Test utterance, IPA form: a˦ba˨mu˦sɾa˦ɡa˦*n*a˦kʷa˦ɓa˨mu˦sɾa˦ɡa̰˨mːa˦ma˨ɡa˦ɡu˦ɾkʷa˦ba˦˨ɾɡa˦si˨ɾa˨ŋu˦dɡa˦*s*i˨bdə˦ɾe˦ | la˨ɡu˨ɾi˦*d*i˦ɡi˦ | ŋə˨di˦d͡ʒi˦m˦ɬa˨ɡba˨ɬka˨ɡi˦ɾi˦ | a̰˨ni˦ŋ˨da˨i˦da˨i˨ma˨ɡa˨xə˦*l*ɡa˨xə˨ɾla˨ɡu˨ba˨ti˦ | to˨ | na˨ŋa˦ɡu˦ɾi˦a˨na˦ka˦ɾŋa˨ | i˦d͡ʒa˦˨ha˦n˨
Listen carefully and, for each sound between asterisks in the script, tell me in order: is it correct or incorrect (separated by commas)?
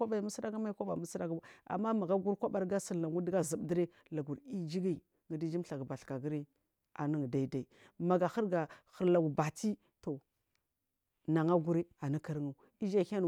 incorrect, incorrect, incorrect, incorrect